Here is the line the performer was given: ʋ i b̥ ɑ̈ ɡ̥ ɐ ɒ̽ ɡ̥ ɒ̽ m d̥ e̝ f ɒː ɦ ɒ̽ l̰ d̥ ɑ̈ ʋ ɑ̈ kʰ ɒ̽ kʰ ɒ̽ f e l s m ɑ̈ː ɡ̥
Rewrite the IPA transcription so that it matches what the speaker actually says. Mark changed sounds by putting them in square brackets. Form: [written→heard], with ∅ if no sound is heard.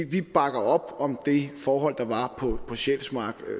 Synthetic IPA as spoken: ʋ i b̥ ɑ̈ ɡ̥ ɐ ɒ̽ [ɡ̥→b̥] ɒ̽ m d̥ e̝ f ɒː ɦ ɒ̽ l̰ d̥ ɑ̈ ʋ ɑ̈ [kʰ→pʰ] ɒ̽ [kʰ→pʰ] ɒ̽ [f→ɕ] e l s m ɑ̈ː ɡ̥